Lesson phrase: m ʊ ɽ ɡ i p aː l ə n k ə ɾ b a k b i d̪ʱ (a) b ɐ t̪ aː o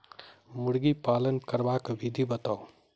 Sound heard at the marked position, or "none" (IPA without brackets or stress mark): i